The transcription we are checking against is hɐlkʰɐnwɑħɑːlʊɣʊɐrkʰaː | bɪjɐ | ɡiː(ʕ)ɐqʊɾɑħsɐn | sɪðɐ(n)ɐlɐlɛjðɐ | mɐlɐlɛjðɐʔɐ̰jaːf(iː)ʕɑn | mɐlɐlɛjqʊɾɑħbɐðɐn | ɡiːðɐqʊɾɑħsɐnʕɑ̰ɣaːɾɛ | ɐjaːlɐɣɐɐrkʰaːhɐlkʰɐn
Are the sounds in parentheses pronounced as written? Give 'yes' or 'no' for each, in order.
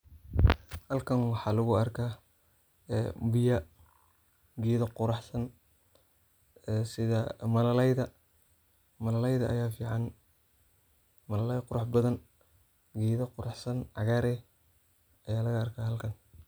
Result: no, no, yes

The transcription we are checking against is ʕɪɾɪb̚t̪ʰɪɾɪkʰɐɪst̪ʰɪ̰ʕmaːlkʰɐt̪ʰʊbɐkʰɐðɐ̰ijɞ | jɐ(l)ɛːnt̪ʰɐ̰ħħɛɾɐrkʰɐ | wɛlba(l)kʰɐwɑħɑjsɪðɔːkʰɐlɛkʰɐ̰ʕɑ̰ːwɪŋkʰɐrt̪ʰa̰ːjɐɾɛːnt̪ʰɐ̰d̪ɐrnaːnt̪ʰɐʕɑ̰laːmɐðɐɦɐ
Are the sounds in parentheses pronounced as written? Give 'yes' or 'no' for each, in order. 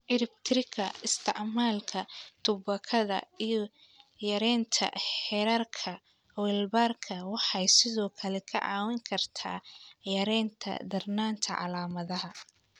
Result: no, no

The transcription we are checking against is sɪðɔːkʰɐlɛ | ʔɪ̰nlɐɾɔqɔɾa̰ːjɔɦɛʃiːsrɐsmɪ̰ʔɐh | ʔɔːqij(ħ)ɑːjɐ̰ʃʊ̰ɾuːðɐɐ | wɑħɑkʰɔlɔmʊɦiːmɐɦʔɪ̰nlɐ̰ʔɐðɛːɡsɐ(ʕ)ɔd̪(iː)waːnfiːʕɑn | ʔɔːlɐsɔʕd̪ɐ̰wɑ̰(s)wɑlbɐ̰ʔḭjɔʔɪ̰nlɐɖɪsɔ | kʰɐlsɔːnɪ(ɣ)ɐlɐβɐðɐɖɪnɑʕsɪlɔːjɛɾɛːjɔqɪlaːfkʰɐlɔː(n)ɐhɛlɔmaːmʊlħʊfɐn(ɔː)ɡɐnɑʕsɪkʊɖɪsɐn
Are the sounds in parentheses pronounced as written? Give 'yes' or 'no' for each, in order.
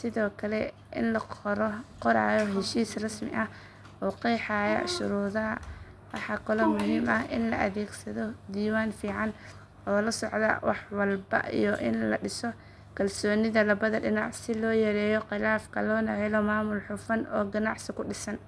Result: yes, no, yes, no, no, yes, yes

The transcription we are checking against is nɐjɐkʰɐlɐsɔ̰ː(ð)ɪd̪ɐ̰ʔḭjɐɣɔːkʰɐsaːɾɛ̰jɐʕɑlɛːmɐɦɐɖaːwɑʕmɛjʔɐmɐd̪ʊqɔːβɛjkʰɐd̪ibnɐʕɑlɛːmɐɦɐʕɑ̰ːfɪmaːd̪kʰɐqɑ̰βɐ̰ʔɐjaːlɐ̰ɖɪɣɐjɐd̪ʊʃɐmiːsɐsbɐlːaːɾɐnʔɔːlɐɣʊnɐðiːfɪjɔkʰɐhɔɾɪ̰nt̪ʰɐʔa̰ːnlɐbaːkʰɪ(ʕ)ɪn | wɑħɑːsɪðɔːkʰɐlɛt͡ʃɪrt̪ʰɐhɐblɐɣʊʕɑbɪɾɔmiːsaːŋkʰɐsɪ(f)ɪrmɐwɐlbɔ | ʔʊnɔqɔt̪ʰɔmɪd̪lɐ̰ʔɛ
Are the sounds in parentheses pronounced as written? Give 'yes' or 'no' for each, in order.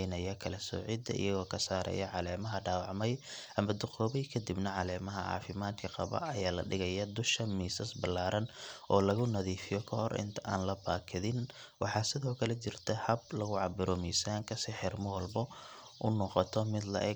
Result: no, no, no

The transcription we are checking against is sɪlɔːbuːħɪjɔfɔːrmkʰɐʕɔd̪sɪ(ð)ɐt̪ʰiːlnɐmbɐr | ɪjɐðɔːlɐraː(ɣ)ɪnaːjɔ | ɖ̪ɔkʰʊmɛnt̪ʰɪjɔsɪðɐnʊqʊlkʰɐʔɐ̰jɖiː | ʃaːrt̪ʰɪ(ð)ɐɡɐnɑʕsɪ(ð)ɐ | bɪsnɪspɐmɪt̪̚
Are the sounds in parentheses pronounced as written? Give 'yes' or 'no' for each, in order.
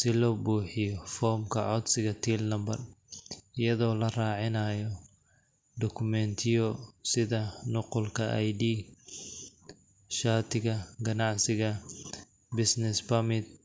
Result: no, no, no, no

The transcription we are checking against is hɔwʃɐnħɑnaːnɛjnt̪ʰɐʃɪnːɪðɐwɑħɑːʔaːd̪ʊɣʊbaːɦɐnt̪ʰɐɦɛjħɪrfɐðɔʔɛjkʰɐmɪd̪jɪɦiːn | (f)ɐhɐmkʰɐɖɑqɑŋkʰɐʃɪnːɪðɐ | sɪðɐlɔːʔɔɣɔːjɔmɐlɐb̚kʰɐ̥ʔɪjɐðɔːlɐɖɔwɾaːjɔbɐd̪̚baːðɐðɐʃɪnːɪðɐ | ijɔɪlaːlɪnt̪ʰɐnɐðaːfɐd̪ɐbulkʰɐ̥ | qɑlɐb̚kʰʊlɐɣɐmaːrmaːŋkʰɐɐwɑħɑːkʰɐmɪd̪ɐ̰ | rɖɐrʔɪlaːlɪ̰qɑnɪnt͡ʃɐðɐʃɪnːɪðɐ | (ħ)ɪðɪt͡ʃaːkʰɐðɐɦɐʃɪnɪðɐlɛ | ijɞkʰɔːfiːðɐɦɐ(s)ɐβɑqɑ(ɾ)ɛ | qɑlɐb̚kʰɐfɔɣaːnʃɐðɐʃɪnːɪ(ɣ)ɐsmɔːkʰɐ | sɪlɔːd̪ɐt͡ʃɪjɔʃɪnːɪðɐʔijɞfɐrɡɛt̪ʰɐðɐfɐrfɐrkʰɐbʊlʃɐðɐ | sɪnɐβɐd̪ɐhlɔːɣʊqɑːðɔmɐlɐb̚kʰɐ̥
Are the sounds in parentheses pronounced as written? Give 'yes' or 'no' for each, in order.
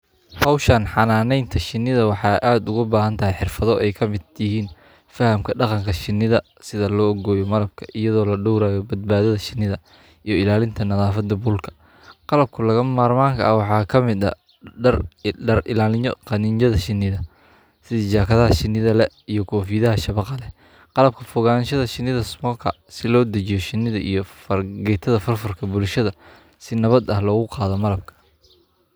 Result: yes, no, no, no, no

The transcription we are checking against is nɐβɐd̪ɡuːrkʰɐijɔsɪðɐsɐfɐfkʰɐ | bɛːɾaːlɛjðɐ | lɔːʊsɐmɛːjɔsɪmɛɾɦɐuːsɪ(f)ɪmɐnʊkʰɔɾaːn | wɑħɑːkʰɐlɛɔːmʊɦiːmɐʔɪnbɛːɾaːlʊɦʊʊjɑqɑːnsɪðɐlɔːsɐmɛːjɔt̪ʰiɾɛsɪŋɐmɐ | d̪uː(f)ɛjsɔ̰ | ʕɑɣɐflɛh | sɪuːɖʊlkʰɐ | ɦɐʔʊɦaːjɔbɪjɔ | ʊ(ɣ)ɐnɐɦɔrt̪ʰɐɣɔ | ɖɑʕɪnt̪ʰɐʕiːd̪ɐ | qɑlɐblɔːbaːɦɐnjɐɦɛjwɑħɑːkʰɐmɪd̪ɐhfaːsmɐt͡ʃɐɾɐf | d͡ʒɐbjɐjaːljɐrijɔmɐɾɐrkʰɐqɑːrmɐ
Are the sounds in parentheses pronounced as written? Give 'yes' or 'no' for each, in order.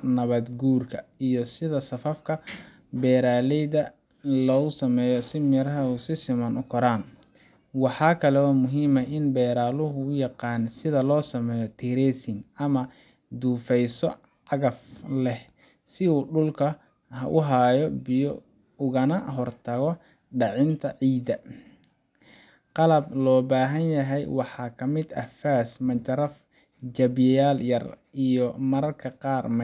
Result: no, yes, yes

